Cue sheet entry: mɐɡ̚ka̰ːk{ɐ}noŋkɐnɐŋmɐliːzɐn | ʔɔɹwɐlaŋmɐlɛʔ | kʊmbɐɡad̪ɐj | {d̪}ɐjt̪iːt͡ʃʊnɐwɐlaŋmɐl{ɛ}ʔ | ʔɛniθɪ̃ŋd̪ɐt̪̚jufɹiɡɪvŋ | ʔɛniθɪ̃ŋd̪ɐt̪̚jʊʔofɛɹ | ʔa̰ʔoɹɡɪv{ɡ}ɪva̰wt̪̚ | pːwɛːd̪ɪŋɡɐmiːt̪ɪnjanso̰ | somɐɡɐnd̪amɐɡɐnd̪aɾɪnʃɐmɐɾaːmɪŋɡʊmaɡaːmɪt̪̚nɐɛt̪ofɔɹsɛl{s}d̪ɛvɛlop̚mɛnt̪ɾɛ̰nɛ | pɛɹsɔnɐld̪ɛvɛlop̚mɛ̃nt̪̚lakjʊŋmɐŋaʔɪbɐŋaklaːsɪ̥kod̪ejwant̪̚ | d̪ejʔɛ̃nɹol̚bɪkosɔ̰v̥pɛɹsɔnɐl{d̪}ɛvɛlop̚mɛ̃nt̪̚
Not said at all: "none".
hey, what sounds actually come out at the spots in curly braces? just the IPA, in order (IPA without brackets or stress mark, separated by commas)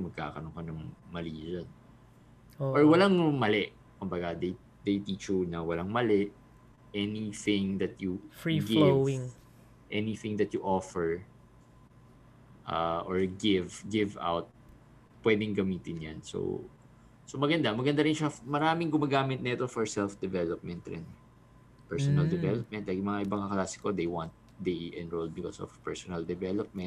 ɐ, d̪, ɛ, ɡ, f, d̪